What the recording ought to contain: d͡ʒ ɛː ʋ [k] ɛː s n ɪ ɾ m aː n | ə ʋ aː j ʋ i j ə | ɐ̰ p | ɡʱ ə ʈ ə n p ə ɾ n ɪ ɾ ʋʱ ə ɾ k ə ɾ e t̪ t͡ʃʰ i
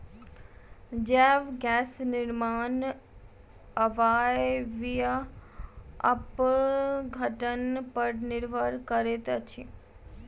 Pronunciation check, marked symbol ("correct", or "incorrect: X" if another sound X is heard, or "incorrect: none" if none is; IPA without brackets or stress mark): incorrect: ɡ